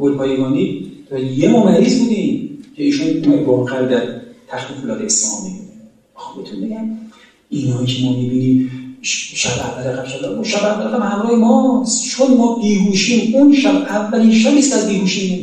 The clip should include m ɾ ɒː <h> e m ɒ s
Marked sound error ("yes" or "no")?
no